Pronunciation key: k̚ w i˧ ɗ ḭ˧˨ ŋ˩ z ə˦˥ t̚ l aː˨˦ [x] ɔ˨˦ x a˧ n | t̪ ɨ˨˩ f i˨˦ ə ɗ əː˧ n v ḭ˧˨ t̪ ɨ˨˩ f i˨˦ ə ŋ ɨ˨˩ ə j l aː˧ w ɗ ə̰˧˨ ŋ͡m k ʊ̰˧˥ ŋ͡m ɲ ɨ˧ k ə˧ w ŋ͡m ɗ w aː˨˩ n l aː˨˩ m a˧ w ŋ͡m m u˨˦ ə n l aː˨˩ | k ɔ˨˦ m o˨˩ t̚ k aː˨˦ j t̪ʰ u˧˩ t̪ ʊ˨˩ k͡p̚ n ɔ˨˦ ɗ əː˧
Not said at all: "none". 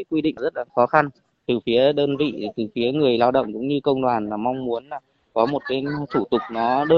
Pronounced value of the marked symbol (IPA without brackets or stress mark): x